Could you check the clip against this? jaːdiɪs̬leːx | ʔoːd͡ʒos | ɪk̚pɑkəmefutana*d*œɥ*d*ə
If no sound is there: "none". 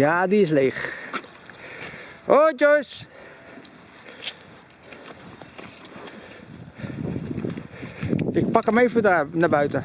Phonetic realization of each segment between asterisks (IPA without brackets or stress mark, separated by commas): b, t